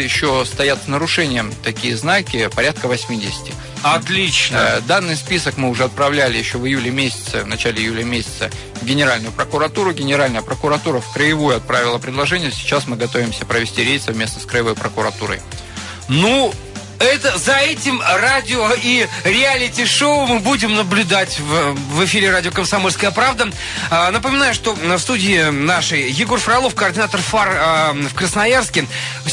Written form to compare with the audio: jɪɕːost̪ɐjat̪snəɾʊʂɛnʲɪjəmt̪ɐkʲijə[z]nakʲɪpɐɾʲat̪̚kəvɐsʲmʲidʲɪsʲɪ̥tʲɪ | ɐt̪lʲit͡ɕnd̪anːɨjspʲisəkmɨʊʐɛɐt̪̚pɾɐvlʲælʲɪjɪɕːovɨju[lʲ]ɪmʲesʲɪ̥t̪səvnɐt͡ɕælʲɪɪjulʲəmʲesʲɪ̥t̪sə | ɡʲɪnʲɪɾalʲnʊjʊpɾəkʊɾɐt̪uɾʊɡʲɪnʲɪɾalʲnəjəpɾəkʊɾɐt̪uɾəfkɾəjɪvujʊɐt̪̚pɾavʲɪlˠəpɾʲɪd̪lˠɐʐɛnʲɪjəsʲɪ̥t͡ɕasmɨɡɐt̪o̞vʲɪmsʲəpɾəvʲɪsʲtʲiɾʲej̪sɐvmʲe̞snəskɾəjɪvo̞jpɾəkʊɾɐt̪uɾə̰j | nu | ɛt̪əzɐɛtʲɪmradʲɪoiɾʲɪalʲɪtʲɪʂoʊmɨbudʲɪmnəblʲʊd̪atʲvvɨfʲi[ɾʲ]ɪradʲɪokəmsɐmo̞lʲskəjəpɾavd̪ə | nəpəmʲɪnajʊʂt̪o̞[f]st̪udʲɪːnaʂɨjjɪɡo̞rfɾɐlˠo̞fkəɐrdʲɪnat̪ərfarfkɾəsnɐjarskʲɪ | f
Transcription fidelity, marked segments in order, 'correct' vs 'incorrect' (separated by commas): correct, correct, correct, correct